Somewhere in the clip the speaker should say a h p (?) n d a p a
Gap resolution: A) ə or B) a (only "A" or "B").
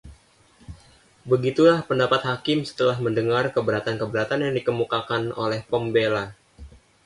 A